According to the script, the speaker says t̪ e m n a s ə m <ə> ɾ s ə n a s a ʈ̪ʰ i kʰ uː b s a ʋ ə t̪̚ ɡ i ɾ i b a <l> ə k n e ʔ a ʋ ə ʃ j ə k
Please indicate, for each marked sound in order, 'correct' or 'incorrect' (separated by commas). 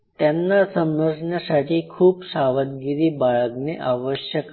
correct, incorrect